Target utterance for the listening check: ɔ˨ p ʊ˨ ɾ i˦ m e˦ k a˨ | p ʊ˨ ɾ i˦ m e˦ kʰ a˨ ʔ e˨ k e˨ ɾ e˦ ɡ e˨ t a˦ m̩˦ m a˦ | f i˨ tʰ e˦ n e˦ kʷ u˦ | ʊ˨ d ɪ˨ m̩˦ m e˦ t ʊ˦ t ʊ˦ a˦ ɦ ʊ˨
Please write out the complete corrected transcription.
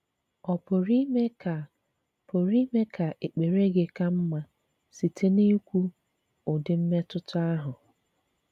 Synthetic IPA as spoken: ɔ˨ p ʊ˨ ɾ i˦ m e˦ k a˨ | p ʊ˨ ɾ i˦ m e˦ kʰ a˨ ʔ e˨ k͡p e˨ ɾ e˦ ɡ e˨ k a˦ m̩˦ m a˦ | s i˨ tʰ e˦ n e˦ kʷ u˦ | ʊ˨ d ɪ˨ m̩˦ m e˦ t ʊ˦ t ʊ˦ a˦ ɦ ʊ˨

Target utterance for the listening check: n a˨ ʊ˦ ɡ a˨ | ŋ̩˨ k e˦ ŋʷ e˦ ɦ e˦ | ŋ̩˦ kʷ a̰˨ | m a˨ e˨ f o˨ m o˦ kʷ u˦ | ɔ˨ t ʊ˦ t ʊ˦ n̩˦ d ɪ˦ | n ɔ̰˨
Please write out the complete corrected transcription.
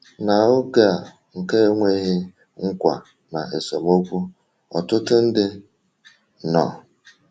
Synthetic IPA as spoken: n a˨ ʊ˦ ɡ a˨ | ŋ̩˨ k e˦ ŋʷ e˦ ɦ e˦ | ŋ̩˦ kʷ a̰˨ | n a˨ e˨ s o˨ m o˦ kʷ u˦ | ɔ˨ t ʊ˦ t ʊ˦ n̩˦ d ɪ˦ | n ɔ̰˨

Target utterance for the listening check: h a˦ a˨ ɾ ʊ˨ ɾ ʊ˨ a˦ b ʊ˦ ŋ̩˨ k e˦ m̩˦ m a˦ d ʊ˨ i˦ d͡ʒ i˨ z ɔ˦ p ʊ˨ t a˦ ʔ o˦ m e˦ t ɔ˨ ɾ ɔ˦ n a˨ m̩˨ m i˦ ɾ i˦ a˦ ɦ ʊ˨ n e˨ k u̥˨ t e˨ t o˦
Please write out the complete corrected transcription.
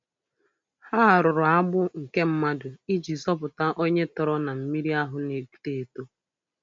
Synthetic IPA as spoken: h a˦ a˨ ɾ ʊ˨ ɾ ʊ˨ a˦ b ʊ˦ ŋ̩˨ k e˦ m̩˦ m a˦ d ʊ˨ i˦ d͡ʒ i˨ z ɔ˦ p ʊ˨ t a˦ ʔ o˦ ɲ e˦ t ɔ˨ ɾ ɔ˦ n a˨ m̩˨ m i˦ ɾ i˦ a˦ ɦ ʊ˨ n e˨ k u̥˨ t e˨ t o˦

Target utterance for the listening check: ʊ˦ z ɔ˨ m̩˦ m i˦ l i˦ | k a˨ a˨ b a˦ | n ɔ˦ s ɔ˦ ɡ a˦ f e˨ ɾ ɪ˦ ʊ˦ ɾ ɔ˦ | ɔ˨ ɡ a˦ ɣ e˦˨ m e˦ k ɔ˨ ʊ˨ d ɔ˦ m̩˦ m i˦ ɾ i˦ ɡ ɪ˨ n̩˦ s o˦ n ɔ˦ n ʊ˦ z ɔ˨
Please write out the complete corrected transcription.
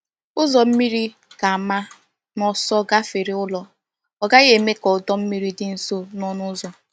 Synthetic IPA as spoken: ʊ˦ z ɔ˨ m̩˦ m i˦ ɾ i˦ | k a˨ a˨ m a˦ | n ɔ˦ s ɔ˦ ɡ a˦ f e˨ ɾ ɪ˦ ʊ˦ l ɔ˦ | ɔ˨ ɡ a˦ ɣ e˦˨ m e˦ k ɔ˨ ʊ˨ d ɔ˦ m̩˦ m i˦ ɾ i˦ d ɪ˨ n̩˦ s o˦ n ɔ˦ n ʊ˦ z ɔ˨

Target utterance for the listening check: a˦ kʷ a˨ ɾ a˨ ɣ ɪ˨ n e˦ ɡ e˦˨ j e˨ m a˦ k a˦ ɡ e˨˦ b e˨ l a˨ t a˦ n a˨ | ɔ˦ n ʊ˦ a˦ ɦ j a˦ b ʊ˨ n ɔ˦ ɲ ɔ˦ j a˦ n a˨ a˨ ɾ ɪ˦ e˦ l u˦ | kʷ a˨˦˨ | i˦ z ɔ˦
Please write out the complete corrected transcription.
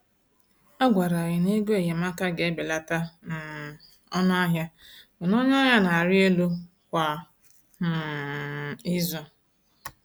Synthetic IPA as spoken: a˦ ɡʷ a˨ ɾ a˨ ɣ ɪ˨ n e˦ ɡ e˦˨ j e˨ m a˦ k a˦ ɡ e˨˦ b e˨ l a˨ t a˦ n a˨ | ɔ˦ n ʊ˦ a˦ ɦ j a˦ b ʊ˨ n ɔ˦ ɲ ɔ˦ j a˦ n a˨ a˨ ɾ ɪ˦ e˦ l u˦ | kʷ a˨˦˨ | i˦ z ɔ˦

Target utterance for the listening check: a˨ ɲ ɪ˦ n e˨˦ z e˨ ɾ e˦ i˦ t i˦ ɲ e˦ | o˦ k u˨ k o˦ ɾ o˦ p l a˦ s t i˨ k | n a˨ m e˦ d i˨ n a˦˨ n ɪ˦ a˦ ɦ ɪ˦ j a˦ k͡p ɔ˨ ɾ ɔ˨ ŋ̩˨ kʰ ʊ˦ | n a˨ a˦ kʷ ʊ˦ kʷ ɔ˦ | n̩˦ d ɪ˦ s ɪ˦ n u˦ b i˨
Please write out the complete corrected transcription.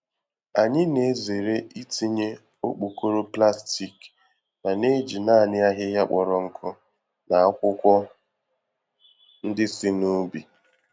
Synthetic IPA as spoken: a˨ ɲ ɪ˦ n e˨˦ z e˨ ɾ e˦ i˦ t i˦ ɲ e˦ | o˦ k͡p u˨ k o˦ ɾ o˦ p l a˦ s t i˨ k | n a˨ n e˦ d͡ʒ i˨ n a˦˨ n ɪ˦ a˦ ɦ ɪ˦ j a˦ k͡p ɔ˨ ɾ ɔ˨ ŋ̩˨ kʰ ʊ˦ | n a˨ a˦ kʷ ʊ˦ kʷ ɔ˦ | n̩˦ d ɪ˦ s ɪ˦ n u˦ b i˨

